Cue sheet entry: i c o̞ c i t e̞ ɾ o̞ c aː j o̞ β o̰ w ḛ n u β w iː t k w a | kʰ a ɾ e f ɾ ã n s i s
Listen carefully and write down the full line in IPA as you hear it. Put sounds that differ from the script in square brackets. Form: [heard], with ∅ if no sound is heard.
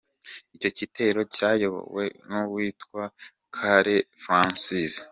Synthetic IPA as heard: i c o̞ c i t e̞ ɾ o̞ c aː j o̞ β o̰ w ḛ n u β w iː t k w a | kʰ a ɾ e f ɾ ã n s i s

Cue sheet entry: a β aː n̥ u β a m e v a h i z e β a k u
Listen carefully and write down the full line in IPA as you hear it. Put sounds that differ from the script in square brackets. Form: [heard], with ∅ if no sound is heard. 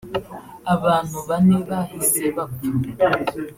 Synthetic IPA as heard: a β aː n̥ u β a [n] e [β] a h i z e β a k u

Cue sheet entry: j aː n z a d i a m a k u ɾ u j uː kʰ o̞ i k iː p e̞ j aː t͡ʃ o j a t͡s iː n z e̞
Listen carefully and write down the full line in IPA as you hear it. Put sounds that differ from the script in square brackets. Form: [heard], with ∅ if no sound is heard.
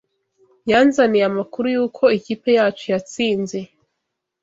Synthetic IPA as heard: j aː n z a [n] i a m a k u ɾ u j uː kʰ o̞ i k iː p e̞ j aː t͡ʃ o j a t͡s iː n z e̞

